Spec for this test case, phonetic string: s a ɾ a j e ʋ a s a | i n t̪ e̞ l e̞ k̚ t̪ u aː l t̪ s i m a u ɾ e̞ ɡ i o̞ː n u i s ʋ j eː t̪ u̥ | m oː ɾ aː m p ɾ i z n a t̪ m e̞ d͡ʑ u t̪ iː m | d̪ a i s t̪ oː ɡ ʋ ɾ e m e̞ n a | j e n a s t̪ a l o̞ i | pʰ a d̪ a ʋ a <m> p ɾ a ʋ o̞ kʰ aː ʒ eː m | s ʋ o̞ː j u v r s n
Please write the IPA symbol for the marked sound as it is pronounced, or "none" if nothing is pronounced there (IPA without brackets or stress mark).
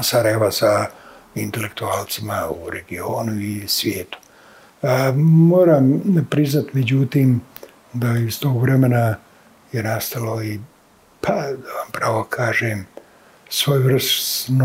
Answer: m